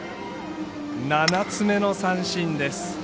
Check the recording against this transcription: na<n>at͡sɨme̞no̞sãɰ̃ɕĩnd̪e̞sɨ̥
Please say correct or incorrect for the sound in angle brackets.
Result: correct